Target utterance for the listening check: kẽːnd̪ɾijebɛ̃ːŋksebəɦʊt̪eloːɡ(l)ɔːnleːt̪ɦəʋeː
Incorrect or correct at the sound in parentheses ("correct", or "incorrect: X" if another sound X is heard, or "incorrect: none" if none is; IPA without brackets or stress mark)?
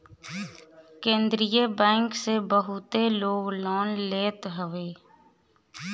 correct